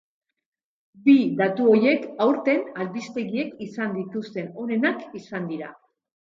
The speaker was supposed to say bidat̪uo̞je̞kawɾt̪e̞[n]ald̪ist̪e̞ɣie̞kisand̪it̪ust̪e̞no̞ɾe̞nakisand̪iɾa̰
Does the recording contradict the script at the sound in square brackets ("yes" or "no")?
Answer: no